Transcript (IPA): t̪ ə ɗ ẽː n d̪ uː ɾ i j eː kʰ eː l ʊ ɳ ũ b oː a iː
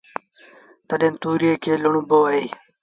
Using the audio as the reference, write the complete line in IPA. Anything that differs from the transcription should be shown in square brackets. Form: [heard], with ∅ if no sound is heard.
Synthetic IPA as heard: t̪ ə ɗ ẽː n [t̪] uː ɾ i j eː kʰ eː l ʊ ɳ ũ b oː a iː